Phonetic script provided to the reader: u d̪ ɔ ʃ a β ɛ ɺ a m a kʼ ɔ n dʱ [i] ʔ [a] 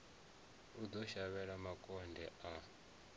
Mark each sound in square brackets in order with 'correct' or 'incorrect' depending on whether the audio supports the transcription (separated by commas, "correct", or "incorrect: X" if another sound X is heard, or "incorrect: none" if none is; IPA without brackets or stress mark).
incorrect: ɛ, correct